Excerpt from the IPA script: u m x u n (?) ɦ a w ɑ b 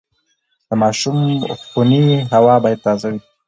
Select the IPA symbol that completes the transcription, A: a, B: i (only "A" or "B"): B